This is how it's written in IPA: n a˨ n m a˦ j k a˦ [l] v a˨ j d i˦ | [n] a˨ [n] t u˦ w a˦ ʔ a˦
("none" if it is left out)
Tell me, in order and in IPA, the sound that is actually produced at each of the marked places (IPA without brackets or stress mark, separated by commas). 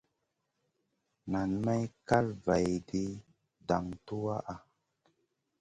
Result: l, d, ŋ